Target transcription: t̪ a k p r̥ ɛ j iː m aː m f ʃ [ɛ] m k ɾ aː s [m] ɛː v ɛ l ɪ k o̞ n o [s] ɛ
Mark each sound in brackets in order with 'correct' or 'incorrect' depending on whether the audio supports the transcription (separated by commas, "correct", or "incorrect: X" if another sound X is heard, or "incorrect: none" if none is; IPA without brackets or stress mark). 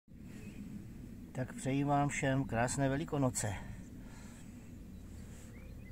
correct, incorrect: n, incorrect: t͡s